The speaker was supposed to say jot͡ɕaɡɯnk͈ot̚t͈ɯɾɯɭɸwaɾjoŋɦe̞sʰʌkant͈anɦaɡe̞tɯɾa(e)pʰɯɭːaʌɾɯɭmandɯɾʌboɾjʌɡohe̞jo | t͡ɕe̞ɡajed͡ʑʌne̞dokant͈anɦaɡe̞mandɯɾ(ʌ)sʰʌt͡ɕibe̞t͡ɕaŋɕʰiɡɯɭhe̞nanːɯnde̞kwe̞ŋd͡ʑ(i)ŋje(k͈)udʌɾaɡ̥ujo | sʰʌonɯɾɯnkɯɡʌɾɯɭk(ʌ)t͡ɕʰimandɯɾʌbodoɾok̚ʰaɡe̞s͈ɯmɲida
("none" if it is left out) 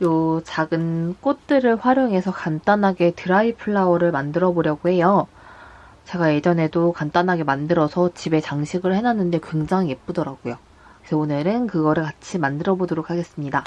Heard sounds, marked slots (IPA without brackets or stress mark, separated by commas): i, ʌ, a, p͈, a